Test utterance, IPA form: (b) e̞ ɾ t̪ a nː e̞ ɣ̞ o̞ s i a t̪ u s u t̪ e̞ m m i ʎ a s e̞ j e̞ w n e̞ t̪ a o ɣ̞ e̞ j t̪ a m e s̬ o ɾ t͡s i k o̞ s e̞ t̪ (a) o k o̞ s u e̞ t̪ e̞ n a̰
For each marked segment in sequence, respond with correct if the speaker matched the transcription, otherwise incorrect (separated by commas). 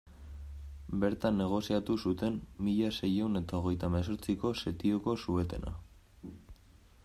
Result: correct, incorrect